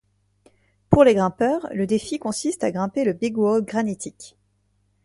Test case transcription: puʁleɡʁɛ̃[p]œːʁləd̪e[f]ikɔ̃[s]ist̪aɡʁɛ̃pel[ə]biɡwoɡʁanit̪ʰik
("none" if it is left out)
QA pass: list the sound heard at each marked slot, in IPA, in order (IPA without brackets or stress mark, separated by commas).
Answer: p, f, s, ə